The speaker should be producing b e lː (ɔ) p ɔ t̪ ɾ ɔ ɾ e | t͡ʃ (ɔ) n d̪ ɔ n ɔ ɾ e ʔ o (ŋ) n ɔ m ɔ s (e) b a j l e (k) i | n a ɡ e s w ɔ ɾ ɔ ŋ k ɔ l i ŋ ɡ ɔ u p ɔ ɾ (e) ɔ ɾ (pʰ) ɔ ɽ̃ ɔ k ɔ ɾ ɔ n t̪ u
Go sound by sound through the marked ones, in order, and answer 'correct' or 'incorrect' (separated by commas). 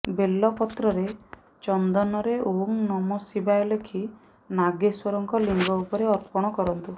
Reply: correct, correct, correct, incorrect, incorrect, correct, incorrect